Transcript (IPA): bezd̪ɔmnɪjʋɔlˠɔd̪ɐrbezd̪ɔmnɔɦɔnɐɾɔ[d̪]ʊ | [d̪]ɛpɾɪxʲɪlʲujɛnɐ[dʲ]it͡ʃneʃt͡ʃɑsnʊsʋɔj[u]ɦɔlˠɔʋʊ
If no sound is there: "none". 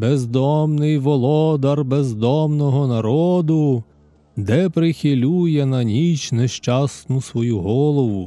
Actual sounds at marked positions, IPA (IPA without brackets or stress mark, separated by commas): d̪, d̪, nʲ, u